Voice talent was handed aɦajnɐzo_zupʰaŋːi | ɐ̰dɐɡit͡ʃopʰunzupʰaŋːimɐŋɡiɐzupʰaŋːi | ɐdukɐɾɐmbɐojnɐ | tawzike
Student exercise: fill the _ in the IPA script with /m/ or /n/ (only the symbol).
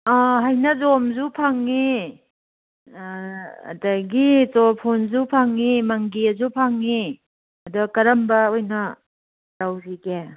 m